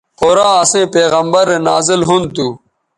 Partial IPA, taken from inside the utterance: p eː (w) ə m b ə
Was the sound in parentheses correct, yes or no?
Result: no